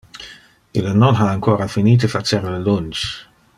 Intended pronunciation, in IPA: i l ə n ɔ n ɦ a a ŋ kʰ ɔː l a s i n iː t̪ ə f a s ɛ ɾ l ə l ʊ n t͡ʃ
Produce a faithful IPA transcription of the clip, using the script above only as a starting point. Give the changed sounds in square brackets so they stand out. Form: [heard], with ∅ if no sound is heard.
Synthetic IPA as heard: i l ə n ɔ n ɦ a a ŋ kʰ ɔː [ɾ] a [f] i n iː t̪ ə f a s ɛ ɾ l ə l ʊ n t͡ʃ

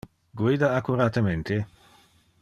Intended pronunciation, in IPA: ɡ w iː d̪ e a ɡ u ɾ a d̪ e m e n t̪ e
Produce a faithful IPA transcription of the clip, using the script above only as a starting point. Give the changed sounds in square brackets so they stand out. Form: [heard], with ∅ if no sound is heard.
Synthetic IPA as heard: ɡ w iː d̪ [a] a [k] u ɾ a [t̪] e m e n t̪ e

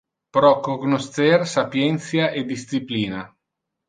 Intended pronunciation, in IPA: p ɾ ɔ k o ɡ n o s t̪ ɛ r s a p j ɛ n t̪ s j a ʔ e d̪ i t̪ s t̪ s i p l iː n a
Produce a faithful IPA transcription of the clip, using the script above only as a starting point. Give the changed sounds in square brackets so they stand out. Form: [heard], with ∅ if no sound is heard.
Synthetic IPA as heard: p ɾ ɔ k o ɡ n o s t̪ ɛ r s a p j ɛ n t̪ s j a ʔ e d̪ i [∅] s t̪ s i p l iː n a

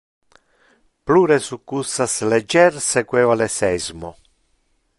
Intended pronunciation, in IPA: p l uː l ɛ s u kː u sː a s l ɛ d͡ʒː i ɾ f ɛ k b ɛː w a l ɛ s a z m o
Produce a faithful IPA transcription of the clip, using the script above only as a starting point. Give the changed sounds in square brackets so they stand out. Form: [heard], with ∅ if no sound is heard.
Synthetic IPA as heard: p l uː [ɾ] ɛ s u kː u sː a s l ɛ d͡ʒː [ɛ] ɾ [s] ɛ k [w] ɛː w a l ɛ s [ɛ] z m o

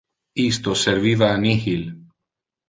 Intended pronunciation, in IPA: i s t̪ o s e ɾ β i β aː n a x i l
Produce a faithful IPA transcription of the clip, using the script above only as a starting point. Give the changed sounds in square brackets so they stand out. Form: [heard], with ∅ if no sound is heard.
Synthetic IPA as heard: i s t̪ o s e ɾ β i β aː n [i] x i l

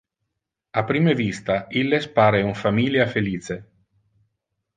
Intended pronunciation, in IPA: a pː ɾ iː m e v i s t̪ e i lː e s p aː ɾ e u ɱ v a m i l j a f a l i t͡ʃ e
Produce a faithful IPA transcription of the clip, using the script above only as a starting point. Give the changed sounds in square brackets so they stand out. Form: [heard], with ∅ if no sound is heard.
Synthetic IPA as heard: a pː ɾ iː m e v i s t̪ [a] i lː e s p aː ɾ e u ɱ [f] a m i l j a f [e] l [iː] t͡ʃ e

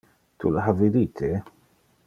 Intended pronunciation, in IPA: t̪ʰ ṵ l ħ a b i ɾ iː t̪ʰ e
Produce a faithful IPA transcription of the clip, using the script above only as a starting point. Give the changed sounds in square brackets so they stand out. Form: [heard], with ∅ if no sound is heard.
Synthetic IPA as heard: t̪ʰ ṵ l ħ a [v] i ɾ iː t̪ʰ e

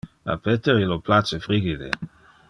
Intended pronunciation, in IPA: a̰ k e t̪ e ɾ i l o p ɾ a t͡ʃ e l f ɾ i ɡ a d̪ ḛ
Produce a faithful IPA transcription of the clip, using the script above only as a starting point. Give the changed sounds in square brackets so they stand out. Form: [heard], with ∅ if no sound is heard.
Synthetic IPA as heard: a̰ [p] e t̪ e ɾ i l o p [l] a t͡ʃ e [∅] f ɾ i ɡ [i] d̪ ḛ

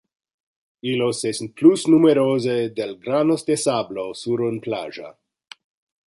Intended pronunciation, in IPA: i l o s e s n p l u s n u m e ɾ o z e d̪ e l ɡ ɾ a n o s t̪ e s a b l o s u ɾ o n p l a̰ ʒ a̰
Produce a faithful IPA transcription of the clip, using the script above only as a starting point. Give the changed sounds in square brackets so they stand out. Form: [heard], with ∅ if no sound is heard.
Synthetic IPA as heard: i l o s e s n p l u s n u m e ɾ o z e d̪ e l ɡ ɾ a n o s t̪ e s a b l o s u ɾ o n p l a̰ ʒ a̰

